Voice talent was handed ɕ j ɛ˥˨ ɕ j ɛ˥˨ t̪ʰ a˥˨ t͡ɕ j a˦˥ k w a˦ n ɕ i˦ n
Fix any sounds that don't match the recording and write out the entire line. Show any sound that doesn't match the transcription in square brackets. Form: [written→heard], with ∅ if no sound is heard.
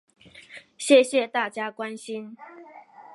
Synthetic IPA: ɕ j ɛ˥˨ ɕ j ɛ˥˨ [t̪ʰ→t̪] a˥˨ t͡ɕ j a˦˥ k w a˦ n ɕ i˦ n